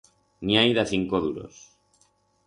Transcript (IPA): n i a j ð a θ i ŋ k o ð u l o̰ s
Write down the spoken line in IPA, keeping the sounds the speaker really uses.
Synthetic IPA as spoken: n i a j ð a θ i ŋ k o ð u ɾ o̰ s

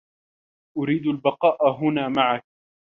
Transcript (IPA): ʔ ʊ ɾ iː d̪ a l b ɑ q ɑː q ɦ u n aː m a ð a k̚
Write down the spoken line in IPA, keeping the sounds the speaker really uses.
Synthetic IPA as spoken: ʔ ʊ ɾ iː d̪ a l b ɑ q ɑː ʔ ɦ ʊ n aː m a ʕ a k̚

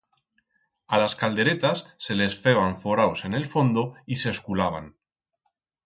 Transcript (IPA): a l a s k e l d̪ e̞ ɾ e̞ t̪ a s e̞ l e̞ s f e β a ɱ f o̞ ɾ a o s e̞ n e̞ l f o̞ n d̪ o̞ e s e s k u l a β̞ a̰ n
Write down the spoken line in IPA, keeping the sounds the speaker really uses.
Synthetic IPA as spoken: a l a s k a l d̪ e̞ ɾ e̞ t̪ a sː e̞ l e̞ s f e β a ɱ f o̞ ɾ a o s e̞ n e̞ l f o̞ n d̪ o̞ i s e s k u l a β̞ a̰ n

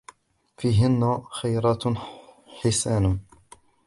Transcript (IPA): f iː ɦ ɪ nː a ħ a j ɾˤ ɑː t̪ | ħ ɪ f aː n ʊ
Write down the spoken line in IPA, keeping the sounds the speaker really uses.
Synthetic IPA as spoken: f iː ɦ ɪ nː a x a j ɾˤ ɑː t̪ | ħ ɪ s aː n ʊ

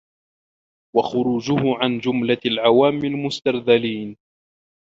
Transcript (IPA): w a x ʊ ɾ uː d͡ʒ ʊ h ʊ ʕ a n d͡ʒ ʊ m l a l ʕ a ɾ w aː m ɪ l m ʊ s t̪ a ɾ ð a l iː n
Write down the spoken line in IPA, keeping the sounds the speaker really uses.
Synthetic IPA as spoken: w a x ʊ ɾ uː d͡ʒ ʊ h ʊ ʕ a n d͡ʒ ʊ m l a l ʕ a w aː m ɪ l m ʊ s t̪ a ɾ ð a l iː n

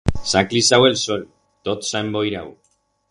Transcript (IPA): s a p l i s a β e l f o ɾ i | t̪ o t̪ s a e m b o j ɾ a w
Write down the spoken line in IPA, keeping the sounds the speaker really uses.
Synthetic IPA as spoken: s a k l i s a w e l s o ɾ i | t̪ o t̪ s a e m b o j ɾ a w

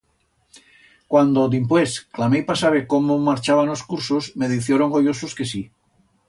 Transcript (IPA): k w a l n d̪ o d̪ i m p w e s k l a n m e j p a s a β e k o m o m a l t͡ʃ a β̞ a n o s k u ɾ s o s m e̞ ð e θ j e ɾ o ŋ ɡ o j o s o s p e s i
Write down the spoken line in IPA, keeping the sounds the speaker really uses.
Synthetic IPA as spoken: k w a n d̪ o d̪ i m p w e s k l a m e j p a s a β e k o m o m a ɾ t͡ʃ a β̞ a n o s k u ɾ s o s m e̞ ð i θ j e ɾ o ŋ ɡ o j o s o s k e s i

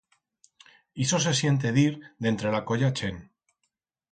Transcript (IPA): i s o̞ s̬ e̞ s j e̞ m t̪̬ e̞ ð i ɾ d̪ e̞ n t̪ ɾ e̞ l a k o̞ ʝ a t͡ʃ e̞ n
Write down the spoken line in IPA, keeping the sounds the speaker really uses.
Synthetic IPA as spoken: i s o̞ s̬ e̞ s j e̞ n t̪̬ e̞ ð i ɾ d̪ e̞ n t̪ ɾ e̞ l a k o̞ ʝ a t͡ʃ e̞ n

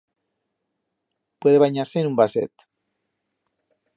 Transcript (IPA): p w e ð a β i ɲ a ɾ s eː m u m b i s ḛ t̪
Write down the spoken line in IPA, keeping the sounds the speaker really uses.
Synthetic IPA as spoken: p w e ð e β a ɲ a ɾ s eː n u m b a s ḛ t̪

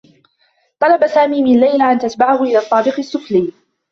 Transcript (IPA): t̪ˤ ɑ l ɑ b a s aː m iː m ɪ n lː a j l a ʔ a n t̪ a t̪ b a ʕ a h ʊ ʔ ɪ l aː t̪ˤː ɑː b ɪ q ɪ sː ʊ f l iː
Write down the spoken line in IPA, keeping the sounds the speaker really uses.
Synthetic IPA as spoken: t̪ˤ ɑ l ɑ b a s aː m iː m ɪ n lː a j l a ʔ a n t̪ a t̪ b a ʕ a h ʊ ʔ ɪ l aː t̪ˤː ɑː b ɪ q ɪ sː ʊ f l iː

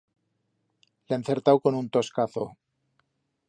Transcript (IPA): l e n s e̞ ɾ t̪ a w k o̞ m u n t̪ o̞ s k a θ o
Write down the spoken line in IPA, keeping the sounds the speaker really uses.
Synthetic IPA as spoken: l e n θ e̞ ɾ t̪ a w k o̞ n u n t̪ o̞ s k a θ o

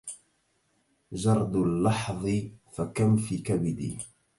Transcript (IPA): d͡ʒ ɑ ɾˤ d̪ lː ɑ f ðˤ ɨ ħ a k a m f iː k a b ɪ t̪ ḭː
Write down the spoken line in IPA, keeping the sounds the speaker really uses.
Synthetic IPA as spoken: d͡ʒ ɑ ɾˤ d̪ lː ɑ ħ ðˤ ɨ f a k a m f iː k a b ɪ d̪ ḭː

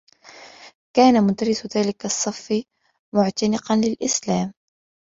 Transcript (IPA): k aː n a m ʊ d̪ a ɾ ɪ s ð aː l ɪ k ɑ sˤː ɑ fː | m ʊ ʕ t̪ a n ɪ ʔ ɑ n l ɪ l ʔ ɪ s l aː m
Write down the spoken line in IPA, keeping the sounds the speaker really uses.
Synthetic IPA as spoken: k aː n a m ʊ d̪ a ɾ ɪ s ð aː l ɪ k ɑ sˤː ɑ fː | m ʊ ʕ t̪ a n ɪ q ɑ n l ɪ l ʔ ɪ s l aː m

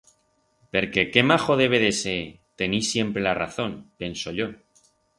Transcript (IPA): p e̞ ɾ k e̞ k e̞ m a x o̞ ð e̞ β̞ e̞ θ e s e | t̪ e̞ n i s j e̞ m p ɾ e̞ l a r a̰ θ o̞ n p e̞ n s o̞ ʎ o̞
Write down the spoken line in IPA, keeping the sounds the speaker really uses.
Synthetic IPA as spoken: p e̞ ɾ k e̞ k e̞ m a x o̞ ð e̞ β̞ e̞ ð e s e | t̪ e̞ n i s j e̞ m p ɾ e̞ l a r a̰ θ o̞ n p e̞ n s o̞ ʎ o̞

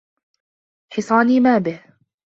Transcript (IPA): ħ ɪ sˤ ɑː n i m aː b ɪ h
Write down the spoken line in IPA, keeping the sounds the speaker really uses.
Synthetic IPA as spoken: ħ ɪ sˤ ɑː n iː m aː b ɪ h

